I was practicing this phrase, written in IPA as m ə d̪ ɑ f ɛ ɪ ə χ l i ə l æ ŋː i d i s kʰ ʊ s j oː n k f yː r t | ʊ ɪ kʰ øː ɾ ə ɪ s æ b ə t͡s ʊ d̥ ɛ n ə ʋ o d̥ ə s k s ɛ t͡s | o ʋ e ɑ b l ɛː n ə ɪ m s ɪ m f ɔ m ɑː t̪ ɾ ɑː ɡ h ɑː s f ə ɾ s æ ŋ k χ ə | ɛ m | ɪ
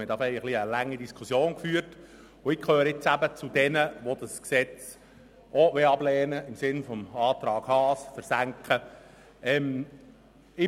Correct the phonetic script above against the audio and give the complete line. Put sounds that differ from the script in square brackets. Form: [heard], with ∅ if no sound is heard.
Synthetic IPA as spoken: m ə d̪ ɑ f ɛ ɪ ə χ l i ə l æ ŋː i d i s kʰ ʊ s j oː n k f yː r t | ʊ ɪ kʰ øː ɾ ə ɪ [t͡s] æ b ə t͡s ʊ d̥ ɛ n ə ʋ o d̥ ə s k s ɛ t͡s | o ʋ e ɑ b l ɛː n ə ɪ m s ɪ [n] f ɔ m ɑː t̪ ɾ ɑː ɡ h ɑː s f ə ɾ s æ ŋ k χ ə | ɛ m | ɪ